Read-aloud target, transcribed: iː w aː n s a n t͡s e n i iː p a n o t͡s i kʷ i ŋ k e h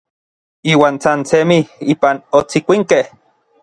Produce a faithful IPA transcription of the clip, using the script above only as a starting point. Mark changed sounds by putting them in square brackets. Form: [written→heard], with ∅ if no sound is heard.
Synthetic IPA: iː w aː n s a n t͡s e [n→m] i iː p a n o t͡s i kʷ i ŋ k e h